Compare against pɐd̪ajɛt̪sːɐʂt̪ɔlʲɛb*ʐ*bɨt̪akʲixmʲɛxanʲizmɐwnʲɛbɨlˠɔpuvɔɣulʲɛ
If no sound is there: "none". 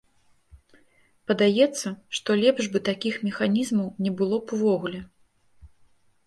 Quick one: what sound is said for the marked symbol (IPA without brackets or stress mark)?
ʐ